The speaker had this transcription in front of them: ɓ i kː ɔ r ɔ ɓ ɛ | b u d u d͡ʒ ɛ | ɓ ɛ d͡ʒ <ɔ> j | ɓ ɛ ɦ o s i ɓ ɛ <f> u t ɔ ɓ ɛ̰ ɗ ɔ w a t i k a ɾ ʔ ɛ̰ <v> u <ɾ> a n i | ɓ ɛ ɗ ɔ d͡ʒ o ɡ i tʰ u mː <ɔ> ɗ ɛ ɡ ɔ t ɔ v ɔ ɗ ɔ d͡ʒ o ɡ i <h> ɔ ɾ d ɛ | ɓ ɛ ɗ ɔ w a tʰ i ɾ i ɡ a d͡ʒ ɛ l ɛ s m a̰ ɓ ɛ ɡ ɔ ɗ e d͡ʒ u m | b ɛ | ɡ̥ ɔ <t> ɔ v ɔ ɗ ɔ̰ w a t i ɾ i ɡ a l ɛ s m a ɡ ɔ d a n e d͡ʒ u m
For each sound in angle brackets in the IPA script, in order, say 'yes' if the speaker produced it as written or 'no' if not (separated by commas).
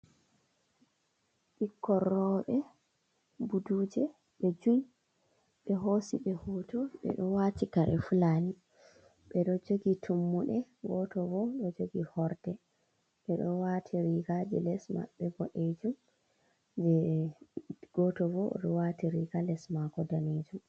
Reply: no, no, no, no, no, yes, yes